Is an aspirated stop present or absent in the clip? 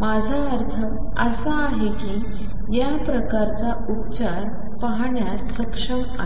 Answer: present